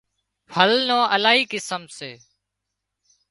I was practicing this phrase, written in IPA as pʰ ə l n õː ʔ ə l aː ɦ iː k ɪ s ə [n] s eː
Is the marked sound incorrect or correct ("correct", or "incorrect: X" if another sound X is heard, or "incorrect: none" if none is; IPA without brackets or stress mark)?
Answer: incorrect: m